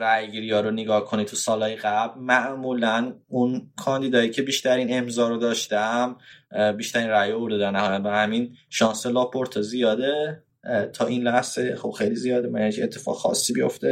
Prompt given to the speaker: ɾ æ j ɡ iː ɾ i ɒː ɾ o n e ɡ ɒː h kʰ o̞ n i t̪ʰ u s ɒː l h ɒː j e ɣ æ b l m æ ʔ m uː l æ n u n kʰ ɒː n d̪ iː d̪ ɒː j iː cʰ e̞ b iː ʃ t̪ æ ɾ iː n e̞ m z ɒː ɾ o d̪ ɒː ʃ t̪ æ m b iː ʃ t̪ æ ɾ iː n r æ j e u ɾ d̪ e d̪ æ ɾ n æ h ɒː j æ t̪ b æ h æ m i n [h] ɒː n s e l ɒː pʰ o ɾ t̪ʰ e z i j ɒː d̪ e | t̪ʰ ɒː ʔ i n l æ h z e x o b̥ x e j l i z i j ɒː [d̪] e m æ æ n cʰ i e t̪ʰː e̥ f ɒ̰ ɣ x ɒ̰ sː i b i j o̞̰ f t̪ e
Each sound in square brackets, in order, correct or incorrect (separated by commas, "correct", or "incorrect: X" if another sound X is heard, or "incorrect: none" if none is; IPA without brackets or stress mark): incorrect: ʃ, correct